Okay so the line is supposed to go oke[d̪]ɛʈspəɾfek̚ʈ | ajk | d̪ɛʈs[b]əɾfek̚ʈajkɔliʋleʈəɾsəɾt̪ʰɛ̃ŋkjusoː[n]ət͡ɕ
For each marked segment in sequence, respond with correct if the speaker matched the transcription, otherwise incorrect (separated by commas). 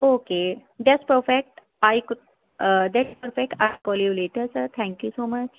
correct, incorrect, incorrect